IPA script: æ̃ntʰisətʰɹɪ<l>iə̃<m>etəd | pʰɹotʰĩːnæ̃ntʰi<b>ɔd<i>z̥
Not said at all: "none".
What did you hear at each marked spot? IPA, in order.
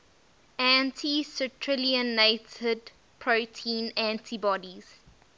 l, n, b, i

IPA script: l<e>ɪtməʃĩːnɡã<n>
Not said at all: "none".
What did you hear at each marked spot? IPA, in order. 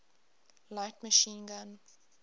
a, n

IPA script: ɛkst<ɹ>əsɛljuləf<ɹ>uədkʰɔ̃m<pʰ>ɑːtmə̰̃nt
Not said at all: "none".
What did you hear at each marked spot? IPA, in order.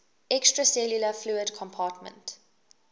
ɹ, l, pʰ

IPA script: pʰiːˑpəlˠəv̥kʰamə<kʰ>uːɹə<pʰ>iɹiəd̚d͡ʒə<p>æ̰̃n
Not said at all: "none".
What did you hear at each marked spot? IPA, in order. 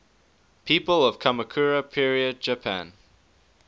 kʰ, pʰ, pʰ

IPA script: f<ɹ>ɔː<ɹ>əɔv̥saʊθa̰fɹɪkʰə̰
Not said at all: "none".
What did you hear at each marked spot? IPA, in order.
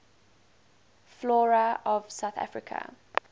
l, ɹ

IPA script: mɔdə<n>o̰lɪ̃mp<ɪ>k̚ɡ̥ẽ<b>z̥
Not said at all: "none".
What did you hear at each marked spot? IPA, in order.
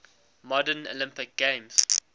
n, ɪ, m

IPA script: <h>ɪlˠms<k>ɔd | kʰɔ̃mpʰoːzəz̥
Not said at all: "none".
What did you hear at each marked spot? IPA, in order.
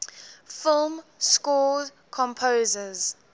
f, k

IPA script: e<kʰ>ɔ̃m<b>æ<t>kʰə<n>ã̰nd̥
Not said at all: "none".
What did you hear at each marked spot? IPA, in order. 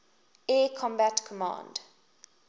kʰ, b, t, m

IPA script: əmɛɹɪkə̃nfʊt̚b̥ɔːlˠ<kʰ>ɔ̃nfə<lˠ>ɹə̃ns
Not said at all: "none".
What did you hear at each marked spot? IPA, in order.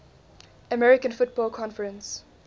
kʰ, none

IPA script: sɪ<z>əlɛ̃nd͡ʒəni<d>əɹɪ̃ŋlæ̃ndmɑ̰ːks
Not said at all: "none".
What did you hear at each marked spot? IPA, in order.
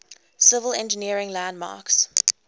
v, none

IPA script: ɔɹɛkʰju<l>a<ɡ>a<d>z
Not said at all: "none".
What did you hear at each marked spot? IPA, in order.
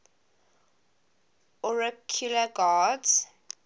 l, ɡ, d

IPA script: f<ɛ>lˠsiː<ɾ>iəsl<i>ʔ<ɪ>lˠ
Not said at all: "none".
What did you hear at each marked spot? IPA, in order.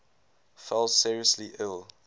ɛ, ɹ, i, ɪ

